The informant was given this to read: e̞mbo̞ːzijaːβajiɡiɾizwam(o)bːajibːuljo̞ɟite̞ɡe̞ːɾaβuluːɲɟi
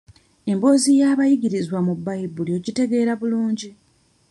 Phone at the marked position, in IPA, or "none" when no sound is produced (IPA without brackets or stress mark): u